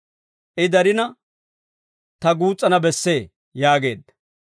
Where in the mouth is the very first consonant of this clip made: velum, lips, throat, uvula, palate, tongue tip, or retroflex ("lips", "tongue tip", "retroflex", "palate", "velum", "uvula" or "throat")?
throat